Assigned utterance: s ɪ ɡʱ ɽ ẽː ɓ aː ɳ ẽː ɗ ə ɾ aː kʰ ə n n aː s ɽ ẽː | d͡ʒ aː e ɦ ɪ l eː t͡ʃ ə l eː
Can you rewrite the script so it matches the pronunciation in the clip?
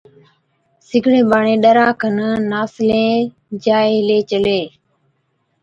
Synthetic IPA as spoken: s ɪ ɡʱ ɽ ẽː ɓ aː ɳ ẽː ɗ ə ɾ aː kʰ ə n n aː s l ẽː | d͡ʒ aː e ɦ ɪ l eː t͡ʃ ə l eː